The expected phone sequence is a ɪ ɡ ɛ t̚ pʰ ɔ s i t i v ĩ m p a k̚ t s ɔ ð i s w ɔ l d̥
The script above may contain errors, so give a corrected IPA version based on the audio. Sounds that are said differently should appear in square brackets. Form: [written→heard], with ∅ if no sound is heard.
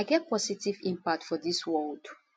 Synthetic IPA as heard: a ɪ ɡ ɛ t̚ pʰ ɔ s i t i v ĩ m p a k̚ t [s→f] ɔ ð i s w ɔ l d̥

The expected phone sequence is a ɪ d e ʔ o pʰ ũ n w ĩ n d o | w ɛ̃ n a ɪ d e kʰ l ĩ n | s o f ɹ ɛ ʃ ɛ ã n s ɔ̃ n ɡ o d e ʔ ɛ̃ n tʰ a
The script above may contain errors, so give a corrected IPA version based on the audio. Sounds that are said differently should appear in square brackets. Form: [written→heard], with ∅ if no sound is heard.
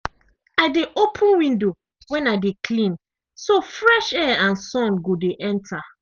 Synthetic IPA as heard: a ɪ d e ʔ o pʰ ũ n w ĩ n d o | w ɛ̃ n a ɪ d e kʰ l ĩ n | s o f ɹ ɛ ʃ ɛ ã n s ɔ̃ n ɡ o d e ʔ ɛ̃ n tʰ a

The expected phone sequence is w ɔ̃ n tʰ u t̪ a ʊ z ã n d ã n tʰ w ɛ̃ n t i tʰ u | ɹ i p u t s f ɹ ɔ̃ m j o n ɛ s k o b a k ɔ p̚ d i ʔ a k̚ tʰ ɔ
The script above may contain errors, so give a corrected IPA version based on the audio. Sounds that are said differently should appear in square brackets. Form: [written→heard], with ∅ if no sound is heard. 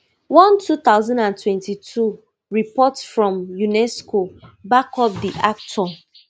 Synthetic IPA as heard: w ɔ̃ n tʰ u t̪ a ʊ z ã n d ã n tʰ w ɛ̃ n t i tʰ u | ɹ i p [u→ɔ] t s f ɹ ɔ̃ m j [o→u] n ɛ s k o b a k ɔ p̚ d i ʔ a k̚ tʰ ɔ

